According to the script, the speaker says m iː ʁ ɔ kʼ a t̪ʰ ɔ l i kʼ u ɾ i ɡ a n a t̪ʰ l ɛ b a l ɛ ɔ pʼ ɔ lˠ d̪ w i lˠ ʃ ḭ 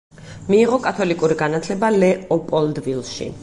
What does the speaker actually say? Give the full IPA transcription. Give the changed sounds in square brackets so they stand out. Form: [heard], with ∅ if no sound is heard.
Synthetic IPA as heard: m iː ʁ ɔ kʼ a t̪ʰ ɔ l i kʼ u ɾ i ɡ a n a t̪ʰ l ɛ b a l ɛ ɔ pʼ ɔ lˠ d̪ [v] i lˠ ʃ ḭ